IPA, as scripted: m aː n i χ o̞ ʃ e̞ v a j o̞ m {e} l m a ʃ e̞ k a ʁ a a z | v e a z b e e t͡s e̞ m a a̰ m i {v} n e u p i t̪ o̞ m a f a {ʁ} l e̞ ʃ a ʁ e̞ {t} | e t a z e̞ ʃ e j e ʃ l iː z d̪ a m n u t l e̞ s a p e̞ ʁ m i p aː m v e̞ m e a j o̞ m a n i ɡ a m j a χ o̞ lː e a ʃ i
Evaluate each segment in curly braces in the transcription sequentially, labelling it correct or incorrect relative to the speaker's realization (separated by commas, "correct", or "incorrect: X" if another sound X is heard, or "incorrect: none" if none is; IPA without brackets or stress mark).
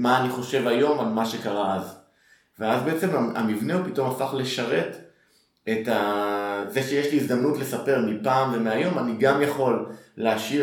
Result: incorrect: a, correct, incorrect: χ, correct